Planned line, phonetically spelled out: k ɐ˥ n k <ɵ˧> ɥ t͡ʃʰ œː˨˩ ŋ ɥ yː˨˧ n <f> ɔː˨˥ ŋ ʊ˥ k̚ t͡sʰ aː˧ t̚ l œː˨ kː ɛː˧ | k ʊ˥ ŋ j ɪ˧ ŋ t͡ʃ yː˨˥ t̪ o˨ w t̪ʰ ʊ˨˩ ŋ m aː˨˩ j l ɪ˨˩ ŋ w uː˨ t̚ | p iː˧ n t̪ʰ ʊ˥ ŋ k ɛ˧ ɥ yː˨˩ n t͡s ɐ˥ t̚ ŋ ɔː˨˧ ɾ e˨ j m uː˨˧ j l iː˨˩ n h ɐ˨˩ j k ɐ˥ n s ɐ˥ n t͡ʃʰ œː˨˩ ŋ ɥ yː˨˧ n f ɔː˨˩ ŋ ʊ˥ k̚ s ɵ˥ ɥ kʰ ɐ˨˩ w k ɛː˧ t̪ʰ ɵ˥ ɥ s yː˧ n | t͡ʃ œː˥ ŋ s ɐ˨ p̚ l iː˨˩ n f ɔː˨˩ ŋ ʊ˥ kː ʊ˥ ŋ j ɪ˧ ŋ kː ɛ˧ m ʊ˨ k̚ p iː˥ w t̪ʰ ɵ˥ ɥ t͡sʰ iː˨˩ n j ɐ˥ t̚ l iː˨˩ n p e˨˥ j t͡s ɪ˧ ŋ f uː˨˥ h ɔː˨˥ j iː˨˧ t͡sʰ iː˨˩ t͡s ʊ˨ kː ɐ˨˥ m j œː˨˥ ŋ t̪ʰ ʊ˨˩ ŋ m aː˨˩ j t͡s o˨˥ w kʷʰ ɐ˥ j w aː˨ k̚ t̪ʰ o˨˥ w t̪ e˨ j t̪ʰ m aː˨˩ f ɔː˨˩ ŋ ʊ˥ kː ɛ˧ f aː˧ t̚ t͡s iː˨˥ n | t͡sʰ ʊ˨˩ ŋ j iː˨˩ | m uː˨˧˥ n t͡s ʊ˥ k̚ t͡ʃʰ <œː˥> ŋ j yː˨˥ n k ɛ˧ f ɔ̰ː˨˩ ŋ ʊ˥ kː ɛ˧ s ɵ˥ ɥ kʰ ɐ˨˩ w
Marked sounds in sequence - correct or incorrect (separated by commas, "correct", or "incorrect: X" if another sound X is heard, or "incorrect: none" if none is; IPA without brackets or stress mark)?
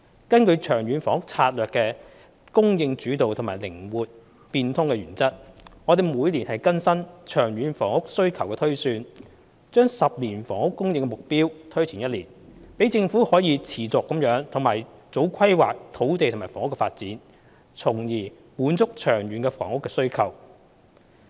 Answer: correct, correct, incorrect: œː˨˩